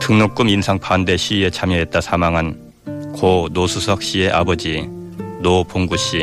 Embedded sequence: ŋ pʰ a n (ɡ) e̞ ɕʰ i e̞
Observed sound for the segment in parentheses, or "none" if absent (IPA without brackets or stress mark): d